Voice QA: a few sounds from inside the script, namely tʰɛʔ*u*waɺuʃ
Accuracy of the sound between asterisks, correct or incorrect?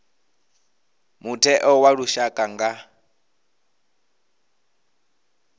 incorrect